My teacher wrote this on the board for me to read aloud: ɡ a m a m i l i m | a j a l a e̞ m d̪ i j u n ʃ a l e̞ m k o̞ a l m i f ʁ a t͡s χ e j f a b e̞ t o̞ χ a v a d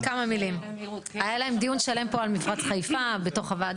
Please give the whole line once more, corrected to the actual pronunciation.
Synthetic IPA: k a m a m i l i m | a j a l a e̞ m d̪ i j u n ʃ a l e̞ m p o̞ a l m i f ʁ a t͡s χ a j f a b e̞ t o̞ χ a v a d